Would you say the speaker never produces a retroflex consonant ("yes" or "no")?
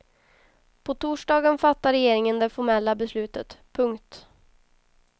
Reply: no